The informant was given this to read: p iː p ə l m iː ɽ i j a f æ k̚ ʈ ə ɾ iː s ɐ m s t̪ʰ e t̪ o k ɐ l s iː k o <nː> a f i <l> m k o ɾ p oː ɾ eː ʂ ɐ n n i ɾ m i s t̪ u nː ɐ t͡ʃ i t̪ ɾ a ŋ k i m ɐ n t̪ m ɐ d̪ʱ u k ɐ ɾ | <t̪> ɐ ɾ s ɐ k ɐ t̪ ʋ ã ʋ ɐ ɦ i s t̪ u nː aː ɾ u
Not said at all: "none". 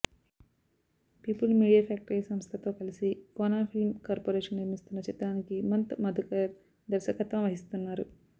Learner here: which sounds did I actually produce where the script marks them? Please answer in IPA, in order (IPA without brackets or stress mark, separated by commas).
n, l, d̪